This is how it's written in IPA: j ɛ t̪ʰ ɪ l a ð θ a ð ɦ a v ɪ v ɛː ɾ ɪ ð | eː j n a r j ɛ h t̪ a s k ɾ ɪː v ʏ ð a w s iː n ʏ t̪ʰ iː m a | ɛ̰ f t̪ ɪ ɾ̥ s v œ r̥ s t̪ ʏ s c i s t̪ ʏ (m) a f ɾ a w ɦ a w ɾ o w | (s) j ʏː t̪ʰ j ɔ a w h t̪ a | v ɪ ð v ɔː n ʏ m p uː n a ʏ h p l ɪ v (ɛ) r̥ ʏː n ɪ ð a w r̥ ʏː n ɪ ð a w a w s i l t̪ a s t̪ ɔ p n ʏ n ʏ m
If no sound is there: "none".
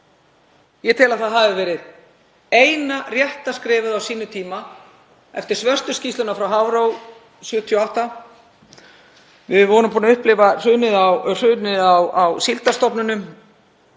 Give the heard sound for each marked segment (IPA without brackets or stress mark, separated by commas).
n, s, a